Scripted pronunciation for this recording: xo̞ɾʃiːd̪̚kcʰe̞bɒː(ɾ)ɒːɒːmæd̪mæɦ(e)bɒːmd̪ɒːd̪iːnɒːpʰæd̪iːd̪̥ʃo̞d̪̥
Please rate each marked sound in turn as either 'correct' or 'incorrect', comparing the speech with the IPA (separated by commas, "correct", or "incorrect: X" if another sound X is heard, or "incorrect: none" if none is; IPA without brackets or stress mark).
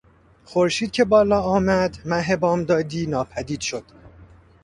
incorrect: l, correct